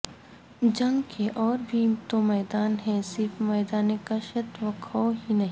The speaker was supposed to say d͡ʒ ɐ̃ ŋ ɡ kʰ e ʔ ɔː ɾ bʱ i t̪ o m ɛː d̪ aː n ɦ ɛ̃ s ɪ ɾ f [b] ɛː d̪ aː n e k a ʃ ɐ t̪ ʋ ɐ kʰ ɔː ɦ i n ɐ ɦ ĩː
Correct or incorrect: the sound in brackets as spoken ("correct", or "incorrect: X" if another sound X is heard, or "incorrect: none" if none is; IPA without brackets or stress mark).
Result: incorrect: m